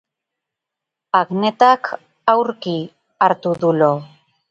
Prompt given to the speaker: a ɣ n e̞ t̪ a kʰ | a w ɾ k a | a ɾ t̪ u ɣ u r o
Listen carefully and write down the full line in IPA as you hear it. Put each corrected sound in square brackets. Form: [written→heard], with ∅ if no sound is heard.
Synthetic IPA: a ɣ n e̞ t̪ a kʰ | a w ɾ k [a→i] | a ɾ t̪ u [ɣ→ð] u [r→l] o